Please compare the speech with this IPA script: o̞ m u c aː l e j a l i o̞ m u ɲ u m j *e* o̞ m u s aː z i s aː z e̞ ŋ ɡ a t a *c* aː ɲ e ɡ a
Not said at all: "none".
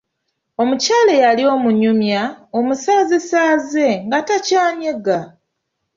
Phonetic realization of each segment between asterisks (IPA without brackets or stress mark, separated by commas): a, c